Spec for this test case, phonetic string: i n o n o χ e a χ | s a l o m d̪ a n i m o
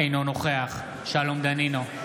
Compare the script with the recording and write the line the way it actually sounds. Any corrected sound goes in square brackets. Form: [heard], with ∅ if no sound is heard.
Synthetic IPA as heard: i n o n o χ e a χ | [ʃ] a l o m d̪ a n i [n] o